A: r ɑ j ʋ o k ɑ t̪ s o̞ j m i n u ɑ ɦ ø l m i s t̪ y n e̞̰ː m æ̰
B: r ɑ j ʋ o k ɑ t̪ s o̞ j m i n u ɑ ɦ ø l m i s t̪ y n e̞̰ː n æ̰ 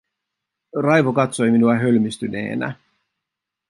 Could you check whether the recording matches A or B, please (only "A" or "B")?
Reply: B